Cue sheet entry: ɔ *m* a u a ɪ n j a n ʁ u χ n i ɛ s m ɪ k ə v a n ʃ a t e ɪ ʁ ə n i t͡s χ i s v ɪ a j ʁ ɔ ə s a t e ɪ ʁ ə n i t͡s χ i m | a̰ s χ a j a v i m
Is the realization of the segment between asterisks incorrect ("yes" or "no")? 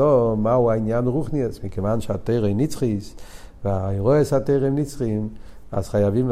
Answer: no